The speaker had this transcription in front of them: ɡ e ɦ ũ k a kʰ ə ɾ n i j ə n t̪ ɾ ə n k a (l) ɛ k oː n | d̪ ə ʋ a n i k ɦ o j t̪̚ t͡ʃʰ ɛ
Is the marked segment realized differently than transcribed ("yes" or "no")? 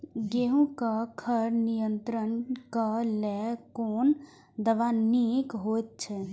no